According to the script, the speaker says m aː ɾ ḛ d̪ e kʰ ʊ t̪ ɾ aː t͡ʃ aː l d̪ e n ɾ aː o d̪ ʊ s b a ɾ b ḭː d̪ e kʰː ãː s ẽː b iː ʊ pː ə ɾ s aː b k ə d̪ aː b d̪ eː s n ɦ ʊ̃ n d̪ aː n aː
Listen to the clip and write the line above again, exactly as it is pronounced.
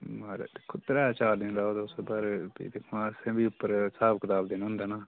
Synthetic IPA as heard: m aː ɾ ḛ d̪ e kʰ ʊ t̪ ɾ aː t͡ʃ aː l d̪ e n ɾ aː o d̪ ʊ s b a ɾ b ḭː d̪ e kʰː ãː s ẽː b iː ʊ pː ə ɾ s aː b k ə t̪ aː b d̪ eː n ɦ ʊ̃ n d̪ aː n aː